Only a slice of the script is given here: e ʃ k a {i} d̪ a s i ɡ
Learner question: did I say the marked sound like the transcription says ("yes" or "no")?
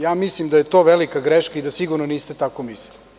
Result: yes